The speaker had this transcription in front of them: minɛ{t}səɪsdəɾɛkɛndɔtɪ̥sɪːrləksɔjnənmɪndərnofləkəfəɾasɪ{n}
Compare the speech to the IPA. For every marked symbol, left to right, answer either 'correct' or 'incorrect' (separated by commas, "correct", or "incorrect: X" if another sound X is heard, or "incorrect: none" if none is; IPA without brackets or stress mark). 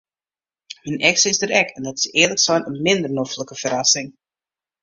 incorrect: k, incorrect: ŋ